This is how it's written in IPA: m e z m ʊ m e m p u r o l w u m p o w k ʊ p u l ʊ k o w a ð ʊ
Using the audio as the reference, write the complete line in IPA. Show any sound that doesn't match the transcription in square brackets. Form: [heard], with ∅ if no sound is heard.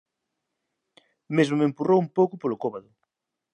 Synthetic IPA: m e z m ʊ m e m p u r o [∅] w u m p o w k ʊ p [o] l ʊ k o [β] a ð ʊ